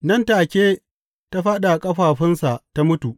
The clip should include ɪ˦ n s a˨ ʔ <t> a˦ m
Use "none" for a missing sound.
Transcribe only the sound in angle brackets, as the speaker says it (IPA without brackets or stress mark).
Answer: t